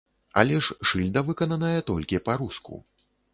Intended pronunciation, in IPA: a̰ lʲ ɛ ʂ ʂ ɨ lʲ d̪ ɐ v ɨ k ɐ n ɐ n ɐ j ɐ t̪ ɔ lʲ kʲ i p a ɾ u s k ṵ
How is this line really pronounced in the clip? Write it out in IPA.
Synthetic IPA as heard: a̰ lʲ ɛ ʂ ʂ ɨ lʲ d̪ ɐ v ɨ k ɐ n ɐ n ɐ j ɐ t̪ ɔ lʲ kʲ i p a ɾ u s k ṵ